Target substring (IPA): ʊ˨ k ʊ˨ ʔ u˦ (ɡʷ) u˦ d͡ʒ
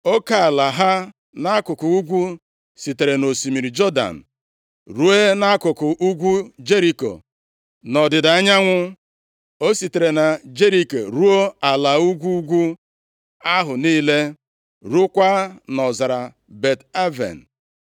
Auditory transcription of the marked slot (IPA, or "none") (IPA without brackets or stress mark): ɡʷ